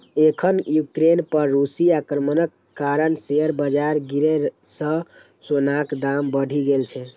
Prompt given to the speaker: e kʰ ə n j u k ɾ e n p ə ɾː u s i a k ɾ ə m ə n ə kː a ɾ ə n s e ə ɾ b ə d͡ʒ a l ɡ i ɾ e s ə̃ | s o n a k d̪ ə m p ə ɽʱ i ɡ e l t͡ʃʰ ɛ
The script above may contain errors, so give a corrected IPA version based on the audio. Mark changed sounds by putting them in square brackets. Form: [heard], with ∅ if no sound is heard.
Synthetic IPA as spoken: e kʰ ə n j u k ɾ e n p ə ɾː u s i a k ɾ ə m ə n ə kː a ɾ ə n s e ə ɾ b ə d͡ʒ a [ɾ] ɡ i ɾ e s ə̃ | s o n a k d̪ [a] m [b] ə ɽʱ i ɡ e l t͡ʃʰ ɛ